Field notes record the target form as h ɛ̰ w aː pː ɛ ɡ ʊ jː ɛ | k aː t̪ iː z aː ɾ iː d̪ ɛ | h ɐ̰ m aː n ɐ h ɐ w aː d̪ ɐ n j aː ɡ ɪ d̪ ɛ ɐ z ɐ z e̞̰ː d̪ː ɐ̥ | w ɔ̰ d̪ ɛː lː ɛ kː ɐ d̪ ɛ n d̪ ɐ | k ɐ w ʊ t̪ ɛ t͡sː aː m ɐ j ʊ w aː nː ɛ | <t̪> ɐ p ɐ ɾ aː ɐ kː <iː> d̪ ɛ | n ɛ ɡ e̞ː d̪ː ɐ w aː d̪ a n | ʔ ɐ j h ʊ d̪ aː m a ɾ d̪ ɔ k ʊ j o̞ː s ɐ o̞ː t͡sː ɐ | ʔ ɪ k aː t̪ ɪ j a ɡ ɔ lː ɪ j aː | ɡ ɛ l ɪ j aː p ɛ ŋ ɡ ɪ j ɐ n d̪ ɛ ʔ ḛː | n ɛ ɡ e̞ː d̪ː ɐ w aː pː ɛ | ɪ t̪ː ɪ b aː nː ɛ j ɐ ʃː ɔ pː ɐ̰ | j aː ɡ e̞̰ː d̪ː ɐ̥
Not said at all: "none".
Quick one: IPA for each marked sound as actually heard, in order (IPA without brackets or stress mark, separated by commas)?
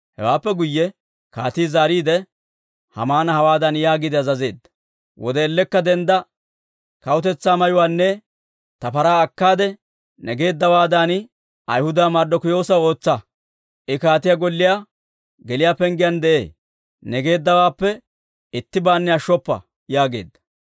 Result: t̪, aː